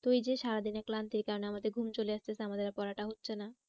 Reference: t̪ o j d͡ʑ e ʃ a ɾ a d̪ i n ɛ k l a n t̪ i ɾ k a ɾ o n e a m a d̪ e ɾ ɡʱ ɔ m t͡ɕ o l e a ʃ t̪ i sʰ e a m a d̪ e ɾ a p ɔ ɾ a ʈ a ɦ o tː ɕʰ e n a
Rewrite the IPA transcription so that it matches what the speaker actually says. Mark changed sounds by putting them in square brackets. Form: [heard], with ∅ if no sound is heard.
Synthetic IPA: t̪ o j d͡ʑ e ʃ a ɾ a d̪ i n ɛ k l a n t̪ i ɾ k a ɾ o n e a m a d̪ e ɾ ɡʱ [u] m t͡ɕ o l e a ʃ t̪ [e] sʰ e a m a d̪ e ɾ a p ɔ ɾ a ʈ a ɦ o tː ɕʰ e n a